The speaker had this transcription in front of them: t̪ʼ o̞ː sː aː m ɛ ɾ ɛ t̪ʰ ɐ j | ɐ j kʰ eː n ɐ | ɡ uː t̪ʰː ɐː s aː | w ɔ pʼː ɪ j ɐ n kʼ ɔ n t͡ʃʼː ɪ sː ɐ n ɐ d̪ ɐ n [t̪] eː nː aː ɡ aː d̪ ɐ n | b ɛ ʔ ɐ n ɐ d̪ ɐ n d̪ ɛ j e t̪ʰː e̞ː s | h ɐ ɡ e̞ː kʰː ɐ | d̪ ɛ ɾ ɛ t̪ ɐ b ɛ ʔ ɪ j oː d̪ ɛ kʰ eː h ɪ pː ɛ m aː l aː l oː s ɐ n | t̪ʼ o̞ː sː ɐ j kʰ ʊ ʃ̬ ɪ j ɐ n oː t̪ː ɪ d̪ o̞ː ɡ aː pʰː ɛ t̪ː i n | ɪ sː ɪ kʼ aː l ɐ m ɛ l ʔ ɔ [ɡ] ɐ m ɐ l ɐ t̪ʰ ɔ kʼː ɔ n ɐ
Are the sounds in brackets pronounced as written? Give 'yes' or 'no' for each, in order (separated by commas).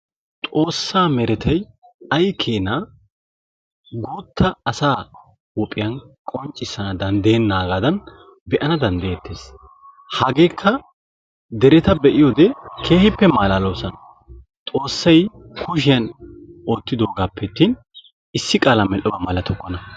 no, no